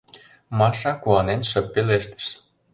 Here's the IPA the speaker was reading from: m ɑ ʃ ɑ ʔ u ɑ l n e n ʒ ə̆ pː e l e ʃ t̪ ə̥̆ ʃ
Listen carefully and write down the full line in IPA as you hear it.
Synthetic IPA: m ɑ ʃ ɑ k u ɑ n e n ʃ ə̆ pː e l e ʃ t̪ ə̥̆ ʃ